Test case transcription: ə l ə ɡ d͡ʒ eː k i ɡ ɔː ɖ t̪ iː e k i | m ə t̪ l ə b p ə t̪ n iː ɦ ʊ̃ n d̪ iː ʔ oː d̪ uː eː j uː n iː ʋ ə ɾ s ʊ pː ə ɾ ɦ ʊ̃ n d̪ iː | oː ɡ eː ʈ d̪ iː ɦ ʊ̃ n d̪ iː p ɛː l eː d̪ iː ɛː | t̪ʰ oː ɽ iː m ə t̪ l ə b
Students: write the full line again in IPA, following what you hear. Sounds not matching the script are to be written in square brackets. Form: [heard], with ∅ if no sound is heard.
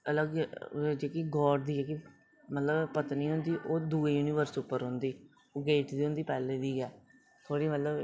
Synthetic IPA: ə l ə ɡ d͡ʒ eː k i ɡ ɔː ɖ [d̪] iː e k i | m ə t̪ l ə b p ə t̪ n iː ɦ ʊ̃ n d̪ iː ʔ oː d̪ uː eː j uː n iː ʋ ə ɾ s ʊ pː ə ɾ ɦ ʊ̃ n d̪ iː | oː ɡ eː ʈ d̪ iː ɦ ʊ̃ n d̪ iː p ɛː l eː d̪ iː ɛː | t̪ʰ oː ɽ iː m ə t̪ l ə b